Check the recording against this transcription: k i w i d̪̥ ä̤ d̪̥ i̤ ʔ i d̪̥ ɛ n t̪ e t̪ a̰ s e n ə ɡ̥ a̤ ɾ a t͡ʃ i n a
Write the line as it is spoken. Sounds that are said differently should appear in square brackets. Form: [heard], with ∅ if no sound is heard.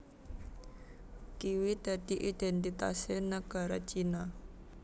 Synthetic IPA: k i w i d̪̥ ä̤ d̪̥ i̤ ʔ i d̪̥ ɛ n t̪ [i] t̪ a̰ s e n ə ɡ̥ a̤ ɾ a t͡ʃ i n a

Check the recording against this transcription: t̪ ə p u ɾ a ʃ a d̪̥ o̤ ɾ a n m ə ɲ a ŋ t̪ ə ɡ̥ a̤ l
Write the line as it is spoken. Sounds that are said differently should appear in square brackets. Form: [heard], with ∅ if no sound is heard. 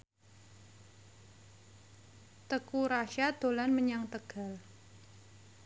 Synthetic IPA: t̪ ə [k] u ɾ a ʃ a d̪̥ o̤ [l] a n m ə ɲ a ŋ t̪ ə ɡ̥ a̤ l

